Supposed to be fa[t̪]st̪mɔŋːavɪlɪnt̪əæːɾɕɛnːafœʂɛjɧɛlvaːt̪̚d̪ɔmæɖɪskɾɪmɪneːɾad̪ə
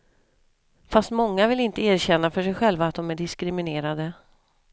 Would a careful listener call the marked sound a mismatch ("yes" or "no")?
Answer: yes